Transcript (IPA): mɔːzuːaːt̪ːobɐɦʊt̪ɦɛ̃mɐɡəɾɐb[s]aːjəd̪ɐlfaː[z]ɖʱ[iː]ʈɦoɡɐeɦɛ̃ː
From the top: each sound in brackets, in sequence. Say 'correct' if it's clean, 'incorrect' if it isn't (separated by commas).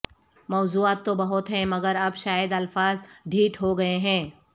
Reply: incorrect, correct, correct